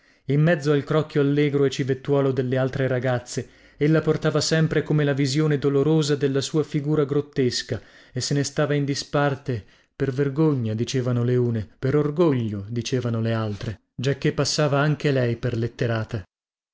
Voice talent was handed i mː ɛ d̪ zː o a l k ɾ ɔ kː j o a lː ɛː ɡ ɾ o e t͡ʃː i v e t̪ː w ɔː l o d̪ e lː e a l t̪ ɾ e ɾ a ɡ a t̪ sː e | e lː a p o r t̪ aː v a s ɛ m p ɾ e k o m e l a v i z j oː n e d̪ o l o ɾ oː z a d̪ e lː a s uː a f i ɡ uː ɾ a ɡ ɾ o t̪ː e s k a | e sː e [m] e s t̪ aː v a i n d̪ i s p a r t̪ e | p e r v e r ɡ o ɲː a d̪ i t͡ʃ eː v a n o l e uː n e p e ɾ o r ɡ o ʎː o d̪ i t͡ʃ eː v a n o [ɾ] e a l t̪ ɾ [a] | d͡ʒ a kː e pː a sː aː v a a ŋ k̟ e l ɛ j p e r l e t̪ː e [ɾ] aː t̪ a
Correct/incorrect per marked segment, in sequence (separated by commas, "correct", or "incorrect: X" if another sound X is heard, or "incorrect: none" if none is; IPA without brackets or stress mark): incorrect: n, incorrect: l, incorrect: e, correct